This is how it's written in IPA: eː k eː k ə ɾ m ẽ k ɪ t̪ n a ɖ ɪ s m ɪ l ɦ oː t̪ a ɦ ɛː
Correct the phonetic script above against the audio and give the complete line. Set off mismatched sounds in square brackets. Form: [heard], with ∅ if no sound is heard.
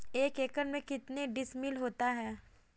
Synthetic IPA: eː k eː k ə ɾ m ẽ k ɪ t̪ n [e] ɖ ɪ s m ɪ l ɦ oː t̪ a ɦ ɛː